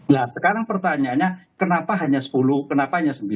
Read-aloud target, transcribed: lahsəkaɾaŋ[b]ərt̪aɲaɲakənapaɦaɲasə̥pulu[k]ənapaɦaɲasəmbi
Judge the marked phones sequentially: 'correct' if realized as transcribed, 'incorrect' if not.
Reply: incorrect: p, correct

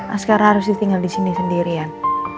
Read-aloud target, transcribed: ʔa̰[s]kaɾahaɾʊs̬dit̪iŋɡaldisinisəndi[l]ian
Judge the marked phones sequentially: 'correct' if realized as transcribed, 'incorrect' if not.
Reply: correct, incorrect: ɾ

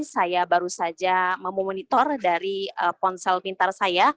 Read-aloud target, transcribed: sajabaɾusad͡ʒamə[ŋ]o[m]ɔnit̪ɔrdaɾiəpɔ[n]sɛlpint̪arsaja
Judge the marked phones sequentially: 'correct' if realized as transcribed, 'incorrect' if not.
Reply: incorrect: m, correct, correct

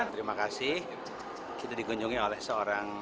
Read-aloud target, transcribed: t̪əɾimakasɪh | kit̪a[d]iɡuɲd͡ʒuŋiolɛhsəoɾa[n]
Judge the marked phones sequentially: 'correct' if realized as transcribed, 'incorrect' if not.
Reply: correct, incorrect: ŋ

